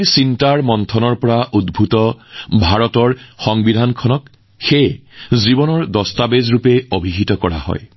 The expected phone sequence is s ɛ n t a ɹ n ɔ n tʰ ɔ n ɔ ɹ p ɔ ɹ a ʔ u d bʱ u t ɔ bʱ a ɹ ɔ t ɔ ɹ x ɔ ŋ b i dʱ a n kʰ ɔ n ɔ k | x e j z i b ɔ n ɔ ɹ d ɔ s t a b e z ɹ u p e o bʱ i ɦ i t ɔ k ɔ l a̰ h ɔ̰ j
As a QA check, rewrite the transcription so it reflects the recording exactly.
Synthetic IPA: s i n t a ɹ m ɔ n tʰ ɔ n ɔ ɹ p ɔ ɹ a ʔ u d bʱ u t ɔ bʱ a ɹ ɔ t ɔ ɹ x ɔ ŋ b i dʱ a n kʰ ɔ n ɔ k | x e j z i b ɔ n ɔ ɹ d ɔ s t a b e z ɹ u p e o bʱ i ɦ i t ɔ k ɔ ɹ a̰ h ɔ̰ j

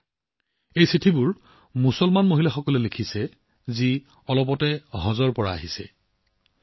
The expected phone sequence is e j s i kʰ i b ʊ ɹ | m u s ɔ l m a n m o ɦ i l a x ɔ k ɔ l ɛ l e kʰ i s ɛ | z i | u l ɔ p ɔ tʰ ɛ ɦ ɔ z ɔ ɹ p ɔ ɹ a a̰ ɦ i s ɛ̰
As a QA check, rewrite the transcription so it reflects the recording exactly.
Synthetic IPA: e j s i tʰ i b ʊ ɹ | m u s ɔ l m a n m o ɦ i l a x ɔ k ɔ l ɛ l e kʰ i s ɛ | z i | ɔ l ɔ p ɔ t ɛ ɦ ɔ z ɔ ɹ p ɔ ɹ a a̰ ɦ i s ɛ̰

